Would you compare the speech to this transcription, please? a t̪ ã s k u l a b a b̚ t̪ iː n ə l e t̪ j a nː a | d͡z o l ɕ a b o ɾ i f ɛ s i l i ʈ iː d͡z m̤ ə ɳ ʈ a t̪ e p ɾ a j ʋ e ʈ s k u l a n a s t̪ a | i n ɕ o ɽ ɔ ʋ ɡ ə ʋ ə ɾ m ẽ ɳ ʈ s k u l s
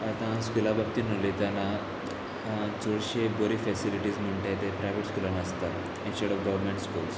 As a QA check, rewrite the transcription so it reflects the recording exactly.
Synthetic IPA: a t̪ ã s k u l a b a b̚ t̪ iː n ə l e t̪ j a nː a | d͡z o ɽ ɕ e b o ɾ i f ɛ s i l i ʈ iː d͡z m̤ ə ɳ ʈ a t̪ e p ɾ a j ʋ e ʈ s k u l a n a s t̪ a | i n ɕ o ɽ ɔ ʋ ɡ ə ʋ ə ɾ m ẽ ɳ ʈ s k u l s